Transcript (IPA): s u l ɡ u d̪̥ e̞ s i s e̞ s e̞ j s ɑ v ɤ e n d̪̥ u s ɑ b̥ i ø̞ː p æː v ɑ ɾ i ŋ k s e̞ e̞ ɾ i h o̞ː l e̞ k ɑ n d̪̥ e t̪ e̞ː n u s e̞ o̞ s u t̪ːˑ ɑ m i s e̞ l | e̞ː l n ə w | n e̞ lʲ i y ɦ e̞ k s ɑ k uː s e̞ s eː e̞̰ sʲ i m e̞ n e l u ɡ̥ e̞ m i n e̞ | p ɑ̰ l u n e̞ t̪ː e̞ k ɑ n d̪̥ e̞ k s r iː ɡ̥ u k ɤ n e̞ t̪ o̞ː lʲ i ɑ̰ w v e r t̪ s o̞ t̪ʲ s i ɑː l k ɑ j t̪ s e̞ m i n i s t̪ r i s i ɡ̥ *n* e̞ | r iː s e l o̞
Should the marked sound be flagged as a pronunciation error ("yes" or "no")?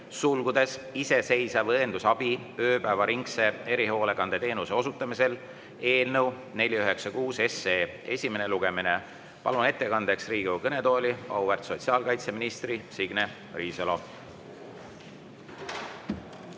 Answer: no